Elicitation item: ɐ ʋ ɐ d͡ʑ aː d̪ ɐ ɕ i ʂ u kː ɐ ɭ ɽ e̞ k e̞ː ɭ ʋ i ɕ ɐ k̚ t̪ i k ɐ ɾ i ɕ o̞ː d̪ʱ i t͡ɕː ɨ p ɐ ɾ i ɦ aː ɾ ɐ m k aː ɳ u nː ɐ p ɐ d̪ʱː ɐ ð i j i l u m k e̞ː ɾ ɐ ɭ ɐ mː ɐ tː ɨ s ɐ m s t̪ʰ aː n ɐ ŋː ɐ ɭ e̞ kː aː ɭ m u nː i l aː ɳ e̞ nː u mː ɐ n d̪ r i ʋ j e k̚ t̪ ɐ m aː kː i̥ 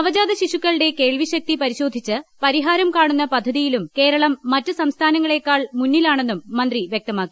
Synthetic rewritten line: ɐ ʋ ɐ d͡ʑ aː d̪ ɐ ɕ i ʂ u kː ɐ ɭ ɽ e̞ k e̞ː ɭ ʋ i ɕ ɐ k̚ t̪ i p ɐ ɾ i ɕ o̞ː d̪ʱ i t͡ɕː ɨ p ɐ ɾ i ɦ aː ɾ ɐ m k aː ɳ u nː ɐ p ɐ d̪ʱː ɐ ð i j i l u m k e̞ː ɾ ɐ ɭ ɐ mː ɐ tː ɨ s ɐ m s t̪ʰ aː n ɐ ŋː ɐ ɭ e̞ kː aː ɭ m u nː i l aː ɳ e̞ nː u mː ɐ n d̪ r i ʋ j e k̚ t̪ ɐ m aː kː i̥